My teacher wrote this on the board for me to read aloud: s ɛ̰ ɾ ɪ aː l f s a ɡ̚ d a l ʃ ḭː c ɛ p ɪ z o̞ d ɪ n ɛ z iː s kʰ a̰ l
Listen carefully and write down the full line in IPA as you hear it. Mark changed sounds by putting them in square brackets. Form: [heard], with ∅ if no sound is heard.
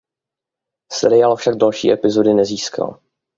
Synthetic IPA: s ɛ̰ ɾ ɪ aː l f [ʃ] a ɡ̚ d a l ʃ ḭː [ʔ] ɛ p ɪ z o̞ d ɪ n ɛ z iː s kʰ a̰ l